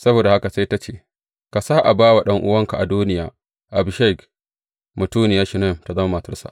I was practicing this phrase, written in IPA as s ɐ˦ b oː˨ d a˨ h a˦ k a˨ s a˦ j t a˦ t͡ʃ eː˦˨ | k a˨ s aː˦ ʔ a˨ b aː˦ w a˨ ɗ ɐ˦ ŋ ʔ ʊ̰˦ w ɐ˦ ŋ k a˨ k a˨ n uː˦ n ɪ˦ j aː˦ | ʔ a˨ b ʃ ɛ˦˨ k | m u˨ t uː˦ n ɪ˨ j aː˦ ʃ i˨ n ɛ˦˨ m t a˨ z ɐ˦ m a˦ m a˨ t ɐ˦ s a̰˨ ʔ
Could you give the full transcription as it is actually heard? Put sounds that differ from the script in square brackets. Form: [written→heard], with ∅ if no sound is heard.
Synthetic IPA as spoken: s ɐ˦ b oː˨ d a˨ h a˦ k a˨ s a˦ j t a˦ t͡ʃ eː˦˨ | k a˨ s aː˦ ʔ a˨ b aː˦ w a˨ ɗ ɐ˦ ŋ ʔ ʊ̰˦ w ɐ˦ ŋ k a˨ [k→ʔ] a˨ [n→d] uː˦ n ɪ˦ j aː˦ | ʔ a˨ b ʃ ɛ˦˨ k | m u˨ t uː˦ n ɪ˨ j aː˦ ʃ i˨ n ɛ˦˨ m t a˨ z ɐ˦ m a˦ m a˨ t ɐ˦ s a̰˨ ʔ